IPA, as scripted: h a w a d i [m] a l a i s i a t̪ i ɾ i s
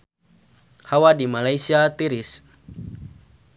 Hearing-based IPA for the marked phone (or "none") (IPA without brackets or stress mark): m